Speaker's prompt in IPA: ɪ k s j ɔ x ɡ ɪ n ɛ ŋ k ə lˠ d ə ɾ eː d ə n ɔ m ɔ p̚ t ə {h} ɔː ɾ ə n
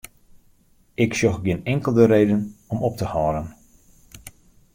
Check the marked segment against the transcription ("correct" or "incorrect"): correct